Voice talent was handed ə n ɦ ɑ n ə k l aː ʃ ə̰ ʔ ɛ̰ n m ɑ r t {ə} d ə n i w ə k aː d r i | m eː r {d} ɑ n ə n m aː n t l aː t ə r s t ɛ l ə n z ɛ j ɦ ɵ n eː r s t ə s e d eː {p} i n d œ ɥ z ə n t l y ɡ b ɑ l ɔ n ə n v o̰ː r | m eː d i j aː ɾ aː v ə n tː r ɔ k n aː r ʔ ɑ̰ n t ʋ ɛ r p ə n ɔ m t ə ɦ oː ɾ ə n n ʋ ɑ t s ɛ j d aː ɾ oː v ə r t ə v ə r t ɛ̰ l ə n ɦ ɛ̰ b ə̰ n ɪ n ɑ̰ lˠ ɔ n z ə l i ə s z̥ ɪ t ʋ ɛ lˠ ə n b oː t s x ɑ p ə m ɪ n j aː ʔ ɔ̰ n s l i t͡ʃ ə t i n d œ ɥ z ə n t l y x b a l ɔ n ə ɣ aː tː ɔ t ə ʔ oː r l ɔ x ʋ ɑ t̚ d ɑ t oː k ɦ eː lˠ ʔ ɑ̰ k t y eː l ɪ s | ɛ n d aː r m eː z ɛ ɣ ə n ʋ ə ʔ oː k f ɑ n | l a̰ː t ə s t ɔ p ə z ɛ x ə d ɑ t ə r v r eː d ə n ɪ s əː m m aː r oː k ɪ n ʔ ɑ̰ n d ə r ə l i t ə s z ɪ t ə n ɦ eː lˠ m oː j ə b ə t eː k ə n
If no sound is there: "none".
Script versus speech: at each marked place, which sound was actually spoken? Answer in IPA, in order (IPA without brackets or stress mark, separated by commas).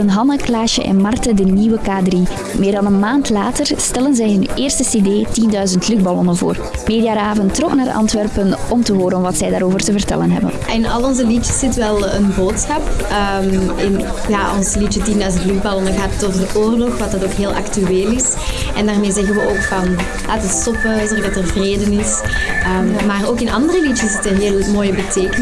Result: ə, d, t